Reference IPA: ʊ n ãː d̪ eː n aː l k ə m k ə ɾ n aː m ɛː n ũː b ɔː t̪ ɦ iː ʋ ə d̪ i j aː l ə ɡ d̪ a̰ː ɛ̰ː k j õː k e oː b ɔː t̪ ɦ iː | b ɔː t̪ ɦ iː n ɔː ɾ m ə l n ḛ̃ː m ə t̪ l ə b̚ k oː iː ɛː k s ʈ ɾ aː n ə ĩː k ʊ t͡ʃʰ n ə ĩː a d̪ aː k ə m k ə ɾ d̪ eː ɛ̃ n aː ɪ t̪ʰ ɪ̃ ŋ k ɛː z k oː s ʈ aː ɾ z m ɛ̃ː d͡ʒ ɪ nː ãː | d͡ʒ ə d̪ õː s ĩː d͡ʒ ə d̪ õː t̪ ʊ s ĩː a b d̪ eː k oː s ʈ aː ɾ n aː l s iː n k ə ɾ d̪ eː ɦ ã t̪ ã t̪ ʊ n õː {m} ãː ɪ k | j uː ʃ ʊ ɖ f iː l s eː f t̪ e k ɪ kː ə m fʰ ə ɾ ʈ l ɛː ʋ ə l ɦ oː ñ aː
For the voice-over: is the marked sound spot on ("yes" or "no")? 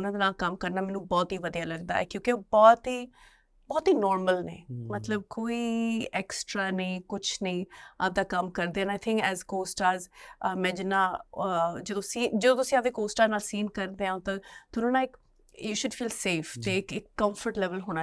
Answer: no